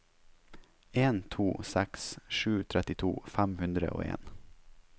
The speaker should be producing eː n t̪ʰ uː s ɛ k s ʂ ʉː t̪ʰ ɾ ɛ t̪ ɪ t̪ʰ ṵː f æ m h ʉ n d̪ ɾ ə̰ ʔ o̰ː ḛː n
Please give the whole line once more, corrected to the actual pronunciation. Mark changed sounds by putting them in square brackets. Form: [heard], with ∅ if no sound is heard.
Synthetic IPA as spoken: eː n t̪ʰ uː s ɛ k s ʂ ʉː t̪ʰ ɾ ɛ t̪ ɪ t̪ʰ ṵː f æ m h ʉ n d̪ ɾ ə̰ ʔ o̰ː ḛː n